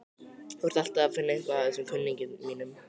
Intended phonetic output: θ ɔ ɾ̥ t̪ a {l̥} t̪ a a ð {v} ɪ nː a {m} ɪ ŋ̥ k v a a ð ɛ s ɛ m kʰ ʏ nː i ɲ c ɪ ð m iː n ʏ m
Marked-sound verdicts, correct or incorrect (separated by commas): correct, incorrect, incorrect